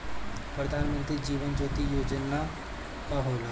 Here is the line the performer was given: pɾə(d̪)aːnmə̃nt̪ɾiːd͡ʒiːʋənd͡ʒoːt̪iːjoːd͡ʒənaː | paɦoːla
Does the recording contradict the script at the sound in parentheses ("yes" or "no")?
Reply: no